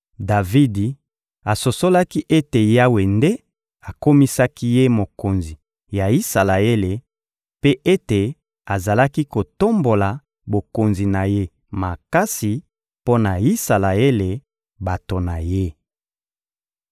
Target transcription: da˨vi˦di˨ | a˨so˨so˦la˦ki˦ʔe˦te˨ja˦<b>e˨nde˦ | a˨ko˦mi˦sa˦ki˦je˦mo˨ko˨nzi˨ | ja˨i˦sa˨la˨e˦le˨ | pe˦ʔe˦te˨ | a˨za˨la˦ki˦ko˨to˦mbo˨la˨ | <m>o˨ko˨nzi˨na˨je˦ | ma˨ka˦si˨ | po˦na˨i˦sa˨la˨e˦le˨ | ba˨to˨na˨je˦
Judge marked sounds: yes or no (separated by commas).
no, no